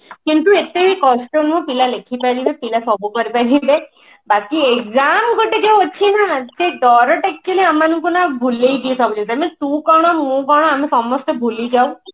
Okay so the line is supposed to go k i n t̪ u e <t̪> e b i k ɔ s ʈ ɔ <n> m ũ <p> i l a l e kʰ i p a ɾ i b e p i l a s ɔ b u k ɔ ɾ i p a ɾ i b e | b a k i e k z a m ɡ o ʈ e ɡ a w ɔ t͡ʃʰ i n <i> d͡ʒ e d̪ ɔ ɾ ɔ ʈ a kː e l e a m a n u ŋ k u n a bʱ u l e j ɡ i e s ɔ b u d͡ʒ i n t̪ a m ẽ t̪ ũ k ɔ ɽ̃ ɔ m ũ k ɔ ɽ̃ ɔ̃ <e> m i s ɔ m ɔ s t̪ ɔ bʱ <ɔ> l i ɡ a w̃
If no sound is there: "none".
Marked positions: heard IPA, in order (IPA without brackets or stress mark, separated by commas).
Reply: t̪, n, p, a, a, u